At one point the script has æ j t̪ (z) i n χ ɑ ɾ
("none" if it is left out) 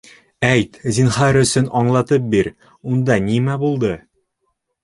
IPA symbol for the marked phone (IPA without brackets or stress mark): z